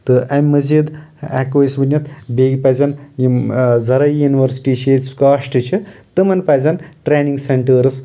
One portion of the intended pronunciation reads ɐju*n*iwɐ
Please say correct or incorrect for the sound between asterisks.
correct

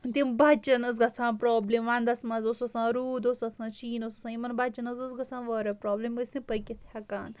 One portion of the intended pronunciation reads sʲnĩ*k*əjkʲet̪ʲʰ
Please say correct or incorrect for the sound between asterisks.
incorrect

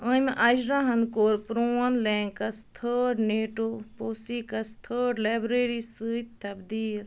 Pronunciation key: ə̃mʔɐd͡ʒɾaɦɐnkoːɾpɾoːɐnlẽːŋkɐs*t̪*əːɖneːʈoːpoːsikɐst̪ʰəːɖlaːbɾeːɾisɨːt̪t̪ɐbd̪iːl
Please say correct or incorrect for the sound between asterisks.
incorrect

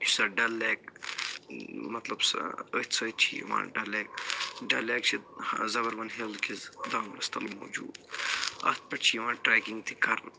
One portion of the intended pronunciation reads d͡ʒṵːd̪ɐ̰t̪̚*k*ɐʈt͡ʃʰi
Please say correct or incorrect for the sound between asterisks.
incorrect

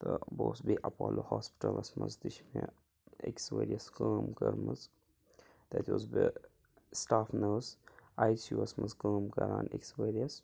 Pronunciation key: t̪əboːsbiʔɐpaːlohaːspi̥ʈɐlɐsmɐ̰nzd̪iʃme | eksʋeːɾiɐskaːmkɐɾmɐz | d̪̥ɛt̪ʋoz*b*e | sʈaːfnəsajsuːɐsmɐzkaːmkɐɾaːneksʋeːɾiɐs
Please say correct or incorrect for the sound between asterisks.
correct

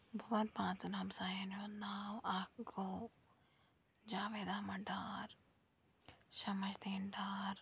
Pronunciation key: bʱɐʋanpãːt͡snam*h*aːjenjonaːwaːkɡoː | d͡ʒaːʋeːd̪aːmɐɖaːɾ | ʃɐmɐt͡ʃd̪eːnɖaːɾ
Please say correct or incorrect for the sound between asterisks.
incorrect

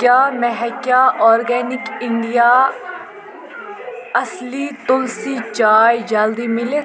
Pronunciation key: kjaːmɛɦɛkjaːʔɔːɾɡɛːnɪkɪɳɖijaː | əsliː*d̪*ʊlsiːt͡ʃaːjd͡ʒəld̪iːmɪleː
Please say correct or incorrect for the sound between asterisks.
incorrect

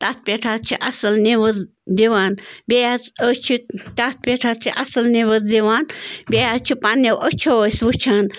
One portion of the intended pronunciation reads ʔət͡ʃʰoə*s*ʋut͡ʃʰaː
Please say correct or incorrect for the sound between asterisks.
correct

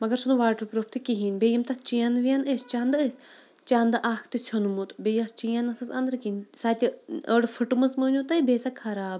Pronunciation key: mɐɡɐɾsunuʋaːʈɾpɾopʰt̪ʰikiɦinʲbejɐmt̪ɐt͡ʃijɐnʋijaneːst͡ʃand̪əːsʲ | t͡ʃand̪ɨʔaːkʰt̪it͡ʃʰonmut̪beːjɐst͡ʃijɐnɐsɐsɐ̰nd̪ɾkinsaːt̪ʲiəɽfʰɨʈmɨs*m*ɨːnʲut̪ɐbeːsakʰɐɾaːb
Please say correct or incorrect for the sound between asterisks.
correct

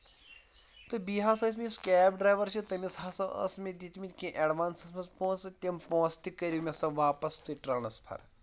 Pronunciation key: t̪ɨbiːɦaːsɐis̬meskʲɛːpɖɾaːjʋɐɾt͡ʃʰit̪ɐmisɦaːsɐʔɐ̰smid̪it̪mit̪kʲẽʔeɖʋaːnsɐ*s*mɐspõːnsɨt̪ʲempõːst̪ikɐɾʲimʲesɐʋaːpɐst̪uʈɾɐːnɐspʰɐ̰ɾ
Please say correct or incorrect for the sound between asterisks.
correct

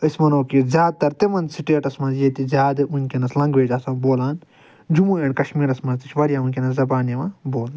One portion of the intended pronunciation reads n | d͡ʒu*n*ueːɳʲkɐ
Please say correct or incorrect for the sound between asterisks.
incorrect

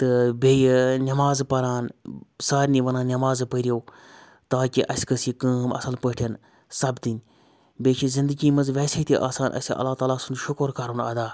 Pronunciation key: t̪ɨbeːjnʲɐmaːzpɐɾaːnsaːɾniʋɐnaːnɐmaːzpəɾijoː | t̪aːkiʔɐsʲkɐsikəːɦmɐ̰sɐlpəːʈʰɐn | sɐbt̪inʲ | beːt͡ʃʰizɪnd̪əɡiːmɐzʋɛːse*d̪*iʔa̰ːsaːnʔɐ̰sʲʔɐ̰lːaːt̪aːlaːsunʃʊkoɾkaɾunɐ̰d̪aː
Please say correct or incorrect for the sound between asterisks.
incorrect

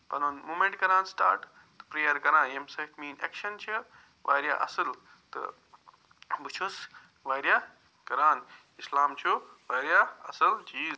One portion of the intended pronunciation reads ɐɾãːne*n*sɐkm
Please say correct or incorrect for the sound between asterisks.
incorrect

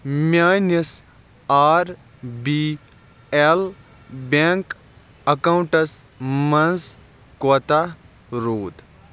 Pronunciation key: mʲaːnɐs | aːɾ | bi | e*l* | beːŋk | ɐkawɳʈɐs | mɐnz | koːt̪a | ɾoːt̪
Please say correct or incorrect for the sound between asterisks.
correct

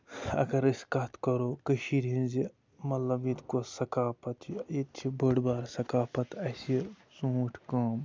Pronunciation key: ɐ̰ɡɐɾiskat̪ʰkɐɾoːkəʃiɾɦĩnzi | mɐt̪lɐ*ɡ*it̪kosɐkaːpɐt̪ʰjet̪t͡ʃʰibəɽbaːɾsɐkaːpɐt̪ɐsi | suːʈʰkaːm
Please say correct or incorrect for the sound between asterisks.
incorrect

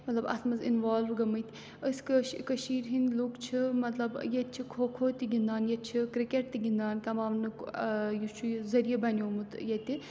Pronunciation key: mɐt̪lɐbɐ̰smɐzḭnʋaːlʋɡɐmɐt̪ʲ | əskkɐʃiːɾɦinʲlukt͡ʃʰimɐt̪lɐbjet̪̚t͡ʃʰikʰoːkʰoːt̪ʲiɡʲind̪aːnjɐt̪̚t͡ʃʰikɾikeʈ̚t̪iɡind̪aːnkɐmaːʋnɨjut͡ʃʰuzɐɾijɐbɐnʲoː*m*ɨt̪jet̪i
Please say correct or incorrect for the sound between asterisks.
correct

